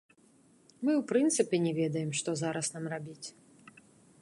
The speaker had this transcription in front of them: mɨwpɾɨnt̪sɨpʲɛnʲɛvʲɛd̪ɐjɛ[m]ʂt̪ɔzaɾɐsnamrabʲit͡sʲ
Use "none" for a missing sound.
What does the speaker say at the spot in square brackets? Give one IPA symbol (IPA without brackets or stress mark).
m